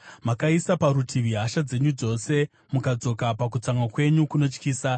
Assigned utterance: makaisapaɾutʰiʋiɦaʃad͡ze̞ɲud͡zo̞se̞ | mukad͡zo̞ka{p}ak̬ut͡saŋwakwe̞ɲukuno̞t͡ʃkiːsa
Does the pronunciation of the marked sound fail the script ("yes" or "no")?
no